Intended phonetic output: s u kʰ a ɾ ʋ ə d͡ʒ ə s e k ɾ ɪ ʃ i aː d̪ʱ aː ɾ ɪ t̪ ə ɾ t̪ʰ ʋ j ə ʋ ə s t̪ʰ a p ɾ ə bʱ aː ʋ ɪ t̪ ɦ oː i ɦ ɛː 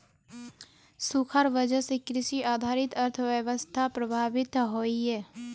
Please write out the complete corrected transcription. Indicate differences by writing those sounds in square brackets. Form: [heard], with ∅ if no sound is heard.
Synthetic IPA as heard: s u kʰ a ɾ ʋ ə d͡ʒ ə s e k ɾ ɪ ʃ i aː d̪ʱ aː ɾ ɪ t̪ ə ɾ t̪ʰ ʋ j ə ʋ ə s t̪ʰ a p ɾ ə bʱ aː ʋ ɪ t̪ ɦ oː i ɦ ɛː

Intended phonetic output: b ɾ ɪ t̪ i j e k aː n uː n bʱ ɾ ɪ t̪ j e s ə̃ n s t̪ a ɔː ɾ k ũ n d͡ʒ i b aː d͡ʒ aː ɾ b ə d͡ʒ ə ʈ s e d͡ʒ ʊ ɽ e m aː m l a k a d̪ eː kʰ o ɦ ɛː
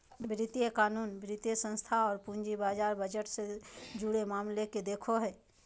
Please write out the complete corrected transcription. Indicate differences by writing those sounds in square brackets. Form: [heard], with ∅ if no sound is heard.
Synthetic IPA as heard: b ɾ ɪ t̪ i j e k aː n uː n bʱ ɾ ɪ t̪ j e s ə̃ n s [t̪ʰ] a ɔː ɾ [p] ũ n d͡ʒ i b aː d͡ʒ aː ɾ b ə d͡ʒ ə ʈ s e d͡ʒ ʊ ɽ e m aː m l [e] k [e] d̪ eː kʰ o ɦ ɛː

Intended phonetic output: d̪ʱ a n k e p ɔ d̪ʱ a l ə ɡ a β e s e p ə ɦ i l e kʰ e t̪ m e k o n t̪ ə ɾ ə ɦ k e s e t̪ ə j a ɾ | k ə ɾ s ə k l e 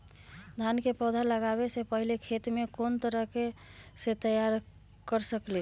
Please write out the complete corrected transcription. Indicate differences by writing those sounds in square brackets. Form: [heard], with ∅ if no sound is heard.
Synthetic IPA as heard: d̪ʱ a n k e p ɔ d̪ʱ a l ə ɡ a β e s e p ə ɦ i l e kʰ e t̪ m e k o n t̪ ə ɾ ə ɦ k e s e t̪ ə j a ɾ | k ə ɾ s ə k l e

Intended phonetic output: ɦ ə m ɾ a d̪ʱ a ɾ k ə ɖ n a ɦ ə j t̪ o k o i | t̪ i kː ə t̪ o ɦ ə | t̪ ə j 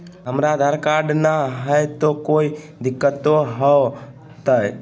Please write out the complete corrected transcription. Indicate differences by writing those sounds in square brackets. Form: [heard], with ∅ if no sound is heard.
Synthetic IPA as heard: ɦ ə m ɾ a d̪ʱ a ɾ k [a] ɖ n a ɦ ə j t̪ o k o i | [d̪] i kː ə t̪ o ɦ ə | t̪ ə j

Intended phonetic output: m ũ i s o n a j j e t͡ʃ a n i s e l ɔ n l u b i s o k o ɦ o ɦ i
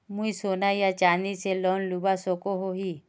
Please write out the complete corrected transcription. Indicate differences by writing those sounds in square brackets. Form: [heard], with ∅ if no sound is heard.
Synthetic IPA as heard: m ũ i s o n a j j [a] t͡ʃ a n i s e l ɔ n l u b [a] s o k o ɦ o ɦ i

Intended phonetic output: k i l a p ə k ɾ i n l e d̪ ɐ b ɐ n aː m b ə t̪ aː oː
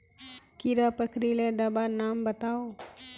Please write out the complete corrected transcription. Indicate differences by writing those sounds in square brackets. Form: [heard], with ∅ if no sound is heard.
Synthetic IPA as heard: k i [ɾ] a p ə k ɾ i [∅] l e d̪ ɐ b [a] n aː m b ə t̪ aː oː

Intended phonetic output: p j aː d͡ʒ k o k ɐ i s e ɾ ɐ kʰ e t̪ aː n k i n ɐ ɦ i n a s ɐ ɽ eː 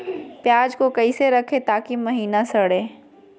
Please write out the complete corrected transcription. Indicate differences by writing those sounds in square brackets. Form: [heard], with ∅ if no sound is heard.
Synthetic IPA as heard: p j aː d͡ʒ k o k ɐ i s e ɾ ɐ kʰ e t̪ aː [∅] k i [m] ɐ ɦ [iː] n a s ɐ ɽ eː

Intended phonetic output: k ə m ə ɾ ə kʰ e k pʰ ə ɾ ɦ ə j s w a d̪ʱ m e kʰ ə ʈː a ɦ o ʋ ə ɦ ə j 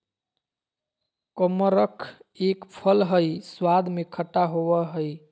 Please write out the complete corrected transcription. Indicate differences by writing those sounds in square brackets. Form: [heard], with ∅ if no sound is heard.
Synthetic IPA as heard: k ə m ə ɾ ə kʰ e k pʰ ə [l] ɦ ə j s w a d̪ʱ m e kʰ ə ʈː a ɦ o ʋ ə ɦ ə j

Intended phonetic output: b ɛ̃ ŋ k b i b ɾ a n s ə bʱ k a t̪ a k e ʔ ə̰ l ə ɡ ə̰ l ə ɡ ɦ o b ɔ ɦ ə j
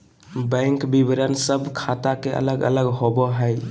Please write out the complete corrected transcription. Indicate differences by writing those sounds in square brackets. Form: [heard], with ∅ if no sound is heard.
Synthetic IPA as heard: b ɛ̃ ŋ k b i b ɾ [ə] n s ə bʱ [kʰ] a t̪ a k e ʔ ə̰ l ə ɡ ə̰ l ə ɡ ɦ o b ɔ ɦ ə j

